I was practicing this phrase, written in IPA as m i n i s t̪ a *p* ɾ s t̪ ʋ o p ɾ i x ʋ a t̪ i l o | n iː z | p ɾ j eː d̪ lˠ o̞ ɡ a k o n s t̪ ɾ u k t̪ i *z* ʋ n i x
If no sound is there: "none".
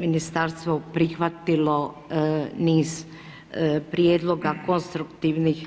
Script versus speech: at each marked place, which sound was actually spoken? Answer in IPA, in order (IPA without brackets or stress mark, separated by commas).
none, none